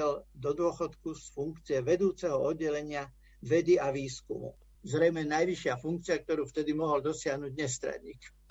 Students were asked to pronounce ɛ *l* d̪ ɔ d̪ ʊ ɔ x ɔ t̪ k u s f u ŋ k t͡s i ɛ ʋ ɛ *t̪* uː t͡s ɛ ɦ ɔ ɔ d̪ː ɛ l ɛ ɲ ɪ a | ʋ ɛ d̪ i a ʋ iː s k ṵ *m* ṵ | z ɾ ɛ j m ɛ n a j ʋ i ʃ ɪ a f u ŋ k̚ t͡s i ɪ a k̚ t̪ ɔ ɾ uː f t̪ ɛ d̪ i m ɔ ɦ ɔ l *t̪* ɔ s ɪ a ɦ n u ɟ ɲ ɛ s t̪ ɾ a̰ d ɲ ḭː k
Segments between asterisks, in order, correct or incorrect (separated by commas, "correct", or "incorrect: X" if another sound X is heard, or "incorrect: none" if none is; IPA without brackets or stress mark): correct, incorrect: d̪, correct, incorrect: d̪